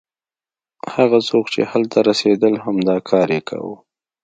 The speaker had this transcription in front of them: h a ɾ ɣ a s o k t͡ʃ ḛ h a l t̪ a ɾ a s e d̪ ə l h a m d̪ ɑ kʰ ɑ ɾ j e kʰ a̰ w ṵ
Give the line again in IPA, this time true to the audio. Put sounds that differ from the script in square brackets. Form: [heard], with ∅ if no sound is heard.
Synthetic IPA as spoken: h a [∅] ɣ a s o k t͡ʃ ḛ h a l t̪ a ɾ a s e d̪ ə l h a m d̪ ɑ kʰ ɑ ɾ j e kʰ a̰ w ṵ